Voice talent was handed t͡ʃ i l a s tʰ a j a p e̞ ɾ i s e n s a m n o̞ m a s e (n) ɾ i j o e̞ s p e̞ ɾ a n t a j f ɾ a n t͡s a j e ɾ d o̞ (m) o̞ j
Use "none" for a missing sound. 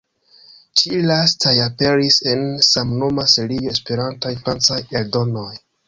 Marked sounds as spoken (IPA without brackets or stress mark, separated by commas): none, n